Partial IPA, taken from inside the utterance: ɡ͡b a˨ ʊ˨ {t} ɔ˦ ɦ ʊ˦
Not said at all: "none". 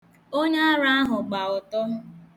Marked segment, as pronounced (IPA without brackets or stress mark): t